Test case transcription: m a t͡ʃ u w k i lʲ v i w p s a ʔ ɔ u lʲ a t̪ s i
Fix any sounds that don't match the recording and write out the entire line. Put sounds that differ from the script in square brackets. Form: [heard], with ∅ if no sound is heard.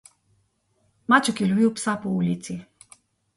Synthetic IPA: m a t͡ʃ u [∅] k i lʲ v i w p s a [p] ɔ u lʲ [i] t̪ s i